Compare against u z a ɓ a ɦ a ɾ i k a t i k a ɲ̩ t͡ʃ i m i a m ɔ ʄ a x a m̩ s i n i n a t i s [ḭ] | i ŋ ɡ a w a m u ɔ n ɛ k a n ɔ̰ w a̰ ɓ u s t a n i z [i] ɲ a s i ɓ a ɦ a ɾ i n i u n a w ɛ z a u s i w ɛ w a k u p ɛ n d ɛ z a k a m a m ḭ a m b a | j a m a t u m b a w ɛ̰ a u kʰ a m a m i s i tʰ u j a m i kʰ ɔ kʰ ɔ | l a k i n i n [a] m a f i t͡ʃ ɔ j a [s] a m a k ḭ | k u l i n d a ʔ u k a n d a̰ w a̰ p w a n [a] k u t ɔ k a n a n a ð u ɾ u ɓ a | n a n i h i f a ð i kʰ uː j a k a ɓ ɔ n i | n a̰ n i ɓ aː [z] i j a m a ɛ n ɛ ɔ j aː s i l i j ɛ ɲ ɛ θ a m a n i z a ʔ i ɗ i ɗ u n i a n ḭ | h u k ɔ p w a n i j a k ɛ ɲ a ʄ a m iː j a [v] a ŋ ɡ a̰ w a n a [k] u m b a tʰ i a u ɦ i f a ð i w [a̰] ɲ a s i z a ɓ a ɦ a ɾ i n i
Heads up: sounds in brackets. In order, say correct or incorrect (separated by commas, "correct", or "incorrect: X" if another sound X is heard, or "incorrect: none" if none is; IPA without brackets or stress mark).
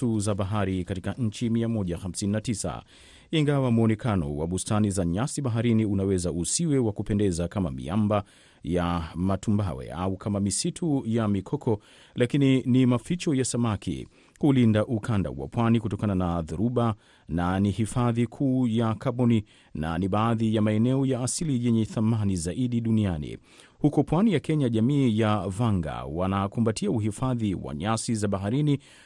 incorrect: a̰, incorrect: a, incorrect: i, correct, incorrect: i, incorrect: ð, correct, correct, correct